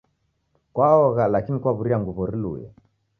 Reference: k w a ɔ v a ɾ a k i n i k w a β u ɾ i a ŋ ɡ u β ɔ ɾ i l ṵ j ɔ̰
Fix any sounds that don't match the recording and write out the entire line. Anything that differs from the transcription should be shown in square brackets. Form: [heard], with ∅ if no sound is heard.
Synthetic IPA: k w a ɔ [ɣ] a [l] a k i n i k w a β u ɾ i a ŋ ɡ u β ɔ ɾ i l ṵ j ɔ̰